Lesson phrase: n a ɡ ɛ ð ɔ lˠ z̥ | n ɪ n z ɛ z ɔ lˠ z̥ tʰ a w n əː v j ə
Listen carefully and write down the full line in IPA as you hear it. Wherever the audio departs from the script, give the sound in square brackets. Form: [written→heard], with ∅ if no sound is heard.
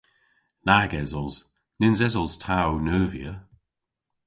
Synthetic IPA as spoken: n a ɡ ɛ [ð→z] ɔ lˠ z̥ | n ɪ n z ɛ z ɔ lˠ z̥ tʰ a w n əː v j ə